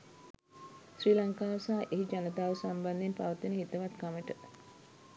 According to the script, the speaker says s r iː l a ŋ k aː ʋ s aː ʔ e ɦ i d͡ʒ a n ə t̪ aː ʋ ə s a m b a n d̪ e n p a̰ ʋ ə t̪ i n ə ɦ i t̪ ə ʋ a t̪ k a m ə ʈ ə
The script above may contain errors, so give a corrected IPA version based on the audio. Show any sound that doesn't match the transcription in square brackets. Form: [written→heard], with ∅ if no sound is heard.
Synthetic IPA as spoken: s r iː l a ŋ k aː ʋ s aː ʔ e ɦ i d͡ʒ a n ə t̪ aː ʋ ə s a m b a n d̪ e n p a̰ ʋ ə t̪ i n ə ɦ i t̪ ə ʋ a t̪ k a m ə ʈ ə